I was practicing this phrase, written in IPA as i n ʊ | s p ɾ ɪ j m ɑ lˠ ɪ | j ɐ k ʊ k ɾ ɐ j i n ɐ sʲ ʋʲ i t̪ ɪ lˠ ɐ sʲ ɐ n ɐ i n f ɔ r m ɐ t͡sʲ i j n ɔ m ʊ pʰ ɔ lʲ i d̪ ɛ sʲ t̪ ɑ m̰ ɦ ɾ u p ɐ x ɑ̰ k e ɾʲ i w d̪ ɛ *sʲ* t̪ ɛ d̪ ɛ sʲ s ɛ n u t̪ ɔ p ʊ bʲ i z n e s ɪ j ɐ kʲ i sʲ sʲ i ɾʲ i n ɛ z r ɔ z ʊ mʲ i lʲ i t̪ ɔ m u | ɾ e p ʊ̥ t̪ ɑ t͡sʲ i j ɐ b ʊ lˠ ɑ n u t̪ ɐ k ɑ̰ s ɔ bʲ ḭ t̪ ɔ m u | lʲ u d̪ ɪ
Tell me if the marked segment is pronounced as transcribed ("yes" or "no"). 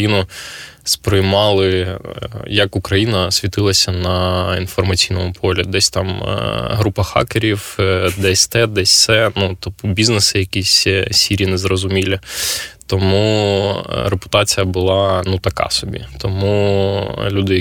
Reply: yes